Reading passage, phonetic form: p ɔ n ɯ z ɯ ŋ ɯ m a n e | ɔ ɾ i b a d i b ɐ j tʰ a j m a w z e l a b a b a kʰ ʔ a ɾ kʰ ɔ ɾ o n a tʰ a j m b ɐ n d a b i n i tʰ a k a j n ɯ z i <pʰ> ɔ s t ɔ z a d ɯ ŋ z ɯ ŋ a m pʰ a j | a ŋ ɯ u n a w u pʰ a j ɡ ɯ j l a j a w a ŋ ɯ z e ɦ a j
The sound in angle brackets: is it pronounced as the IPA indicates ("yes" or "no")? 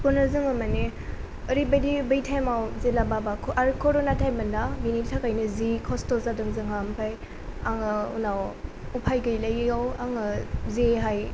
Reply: no